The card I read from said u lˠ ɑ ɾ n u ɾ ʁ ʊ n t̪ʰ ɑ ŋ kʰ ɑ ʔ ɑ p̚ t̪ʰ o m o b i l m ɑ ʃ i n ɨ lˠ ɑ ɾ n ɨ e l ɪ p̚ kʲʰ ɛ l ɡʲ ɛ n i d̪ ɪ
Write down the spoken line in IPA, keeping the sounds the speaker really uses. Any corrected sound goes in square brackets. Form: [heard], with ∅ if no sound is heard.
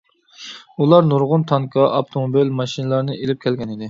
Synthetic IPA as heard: u lˠ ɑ ɾ n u ɾ ʁ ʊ n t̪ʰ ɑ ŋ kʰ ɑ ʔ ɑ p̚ t̪ʰ o m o b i l m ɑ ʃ i n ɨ lˠ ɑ ɾ n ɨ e l ɪ p̚ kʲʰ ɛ l ɡʲ ɛ n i d̪ ɪ